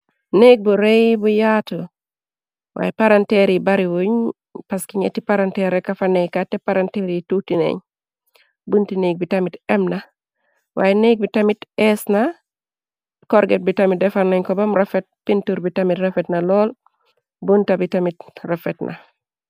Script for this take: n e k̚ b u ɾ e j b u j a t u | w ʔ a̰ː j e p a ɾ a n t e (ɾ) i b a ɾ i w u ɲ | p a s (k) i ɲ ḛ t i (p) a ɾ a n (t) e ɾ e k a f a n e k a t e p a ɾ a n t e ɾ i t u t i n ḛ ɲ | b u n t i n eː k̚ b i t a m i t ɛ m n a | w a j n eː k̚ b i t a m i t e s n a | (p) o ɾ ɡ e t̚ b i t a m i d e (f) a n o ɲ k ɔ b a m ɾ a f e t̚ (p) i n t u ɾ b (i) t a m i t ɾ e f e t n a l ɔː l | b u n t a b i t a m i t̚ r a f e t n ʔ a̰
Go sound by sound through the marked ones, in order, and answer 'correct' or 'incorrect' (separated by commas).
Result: correct, correct, correct, correct, incorrect, correct, correct, correct